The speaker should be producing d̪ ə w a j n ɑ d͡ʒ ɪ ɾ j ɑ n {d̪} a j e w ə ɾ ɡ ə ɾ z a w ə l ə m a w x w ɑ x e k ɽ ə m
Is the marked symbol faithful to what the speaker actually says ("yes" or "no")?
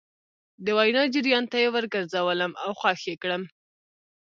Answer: no